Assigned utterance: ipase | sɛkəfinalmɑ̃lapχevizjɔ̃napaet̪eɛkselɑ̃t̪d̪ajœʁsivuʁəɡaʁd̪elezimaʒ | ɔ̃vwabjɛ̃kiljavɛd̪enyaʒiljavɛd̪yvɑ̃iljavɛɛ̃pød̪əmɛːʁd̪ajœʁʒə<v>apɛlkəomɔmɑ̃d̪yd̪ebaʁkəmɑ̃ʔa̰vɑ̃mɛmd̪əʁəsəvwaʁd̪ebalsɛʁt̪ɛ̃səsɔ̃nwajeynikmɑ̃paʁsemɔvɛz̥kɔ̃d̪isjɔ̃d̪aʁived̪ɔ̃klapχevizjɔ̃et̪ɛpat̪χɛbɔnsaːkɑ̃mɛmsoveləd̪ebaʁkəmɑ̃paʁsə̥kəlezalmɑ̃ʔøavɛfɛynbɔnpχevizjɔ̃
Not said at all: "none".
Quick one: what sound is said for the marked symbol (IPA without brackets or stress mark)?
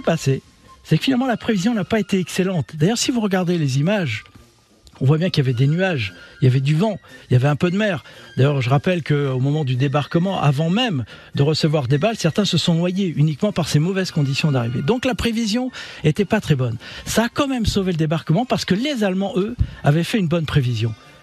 ʁ